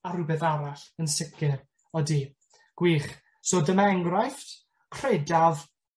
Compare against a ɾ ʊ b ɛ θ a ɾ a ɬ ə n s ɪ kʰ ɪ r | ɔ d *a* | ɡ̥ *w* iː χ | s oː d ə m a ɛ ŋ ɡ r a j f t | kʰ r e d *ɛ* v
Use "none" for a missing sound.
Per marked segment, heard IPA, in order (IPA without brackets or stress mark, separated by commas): i, w, a